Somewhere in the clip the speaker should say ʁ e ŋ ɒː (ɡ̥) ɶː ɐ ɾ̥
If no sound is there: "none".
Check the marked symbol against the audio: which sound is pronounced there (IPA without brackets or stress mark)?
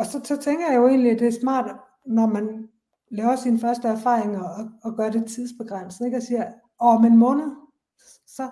ɡ̥